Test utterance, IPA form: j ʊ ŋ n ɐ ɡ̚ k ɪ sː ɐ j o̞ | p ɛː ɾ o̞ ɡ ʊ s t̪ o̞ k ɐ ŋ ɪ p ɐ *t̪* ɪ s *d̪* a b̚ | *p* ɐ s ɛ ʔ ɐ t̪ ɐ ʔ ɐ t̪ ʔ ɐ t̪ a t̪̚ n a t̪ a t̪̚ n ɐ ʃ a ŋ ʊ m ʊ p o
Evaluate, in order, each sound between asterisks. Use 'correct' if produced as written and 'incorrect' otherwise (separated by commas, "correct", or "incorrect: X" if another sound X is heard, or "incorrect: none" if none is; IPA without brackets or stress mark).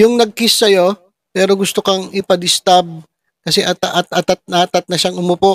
incorrect: d̪, incorrect: t̪, incorrect: k